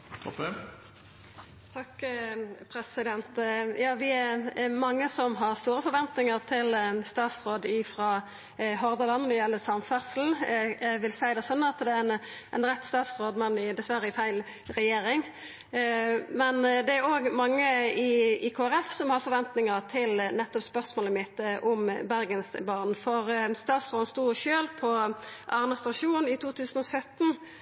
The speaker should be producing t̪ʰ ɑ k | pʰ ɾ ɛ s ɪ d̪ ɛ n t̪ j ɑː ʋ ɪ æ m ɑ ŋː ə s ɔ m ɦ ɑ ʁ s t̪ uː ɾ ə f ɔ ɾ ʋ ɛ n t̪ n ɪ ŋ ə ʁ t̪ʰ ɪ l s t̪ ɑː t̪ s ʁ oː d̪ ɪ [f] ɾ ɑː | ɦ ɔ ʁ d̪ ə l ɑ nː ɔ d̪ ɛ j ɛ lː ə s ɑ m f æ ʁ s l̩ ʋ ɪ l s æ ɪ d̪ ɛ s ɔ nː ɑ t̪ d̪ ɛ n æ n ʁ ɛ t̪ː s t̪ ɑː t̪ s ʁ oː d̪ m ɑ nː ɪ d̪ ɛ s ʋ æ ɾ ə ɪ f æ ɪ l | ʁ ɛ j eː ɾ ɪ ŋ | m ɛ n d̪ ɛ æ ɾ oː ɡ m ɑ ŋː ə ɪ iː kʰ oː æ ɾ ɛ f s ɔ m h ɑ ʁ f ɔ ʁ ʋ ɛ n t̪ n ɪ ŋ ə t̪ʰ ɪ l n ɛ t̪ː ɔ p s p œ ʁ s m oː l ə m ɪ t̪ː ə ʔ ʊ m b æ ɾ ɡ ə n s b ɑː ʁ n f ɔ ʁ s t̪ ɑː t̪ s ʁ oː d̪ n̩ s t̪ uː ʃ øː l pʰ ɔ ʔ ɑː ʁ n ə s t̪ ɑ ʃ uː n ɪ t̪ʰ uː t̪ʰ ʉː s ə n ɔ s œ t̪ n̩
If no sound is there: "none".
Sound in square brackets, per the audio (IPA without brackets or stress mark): f